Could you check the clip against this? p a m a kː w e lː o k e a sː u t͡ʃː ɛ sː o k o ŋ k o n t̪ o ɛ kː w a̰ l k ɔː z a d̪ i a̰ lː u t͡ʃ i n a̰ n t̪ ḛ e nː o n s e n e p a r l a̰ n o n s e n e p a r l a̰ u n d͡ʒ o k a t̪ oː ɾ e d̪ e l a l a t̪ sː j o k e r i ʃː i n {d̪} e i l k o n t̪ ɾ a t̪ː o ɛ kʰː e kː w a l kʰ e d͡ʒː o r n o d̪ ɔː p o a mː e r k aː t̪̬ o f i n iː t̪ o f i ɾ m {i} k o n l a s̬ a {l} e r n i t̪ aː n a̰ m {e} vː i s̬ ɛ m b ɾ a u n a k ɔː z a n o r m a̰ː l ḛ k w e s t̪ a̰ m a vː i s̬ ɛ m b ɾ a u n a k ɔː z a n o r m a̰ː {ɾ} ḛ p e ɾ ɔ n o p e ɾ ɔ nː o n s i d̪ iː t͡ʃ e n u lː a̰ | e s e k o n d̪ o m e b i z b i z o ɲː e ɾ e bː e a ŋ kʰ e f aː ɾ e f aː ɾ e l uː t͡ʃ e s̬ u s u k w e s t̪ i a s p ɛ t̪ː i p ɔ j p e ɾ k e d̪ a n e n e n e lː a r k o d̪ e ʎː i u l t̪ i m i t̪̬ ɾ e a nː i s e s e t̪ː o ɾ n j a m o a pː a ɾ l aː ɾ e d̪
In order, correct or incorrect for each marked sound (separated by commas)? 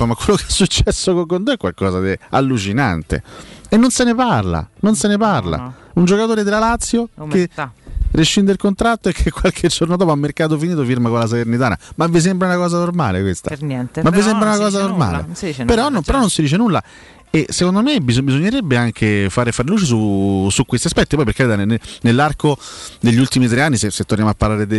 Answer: correct, incorrect, correct, incorrect, incorrect